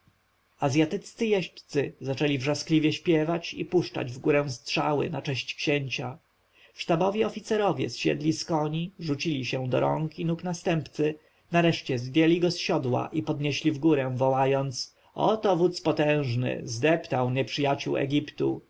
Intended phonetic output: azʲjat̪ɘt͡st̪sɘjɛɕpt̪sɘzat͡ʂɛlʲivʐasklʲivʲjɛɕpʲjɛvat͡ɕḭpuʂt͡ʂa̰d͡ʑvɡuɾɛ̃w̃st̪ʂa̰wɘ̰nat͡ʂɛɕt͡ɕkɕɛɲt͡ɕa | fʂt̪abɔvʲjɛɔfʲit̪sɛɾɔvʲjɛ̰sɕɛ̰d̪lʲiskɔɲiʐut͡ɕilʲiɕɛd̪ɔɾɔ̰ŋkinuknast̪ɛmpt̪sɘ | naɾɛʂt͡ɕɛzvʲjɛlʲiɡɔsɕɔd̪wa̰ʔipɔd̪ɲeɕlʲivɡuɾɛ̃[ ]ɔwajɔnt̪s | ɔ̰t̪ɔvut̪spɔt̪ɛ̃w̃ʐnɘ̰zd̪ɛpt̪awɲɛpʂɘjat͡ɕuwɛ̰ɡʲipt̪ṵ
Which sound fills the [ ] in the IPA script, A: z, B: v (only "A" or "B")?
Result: B